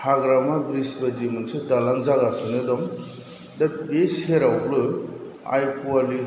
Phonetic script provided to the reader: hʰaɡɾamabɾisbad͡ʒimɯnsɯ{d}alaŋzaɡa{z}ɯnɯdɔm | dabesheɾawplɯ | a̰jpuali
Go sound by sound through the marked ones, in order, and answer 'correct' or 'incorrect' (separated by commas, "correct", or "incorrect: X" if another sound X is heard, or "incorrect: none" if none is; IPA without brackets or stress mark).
correct, incorrect: s